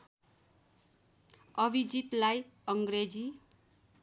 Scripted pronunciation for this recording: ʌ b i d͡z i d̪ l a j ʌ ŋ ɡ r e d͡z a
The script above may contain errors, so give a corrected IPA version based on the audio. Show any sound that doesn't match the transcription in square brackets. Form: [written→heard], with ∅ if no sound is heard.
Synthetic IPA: ʌ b i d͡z i [d̪→t̪] l a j ʌ ŋ ɡ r e d͡z [a→i]